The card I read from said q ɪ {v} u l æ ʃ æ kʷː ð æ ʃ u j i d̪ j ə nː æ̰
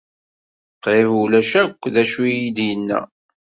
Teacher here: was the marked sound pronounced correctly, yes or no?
yes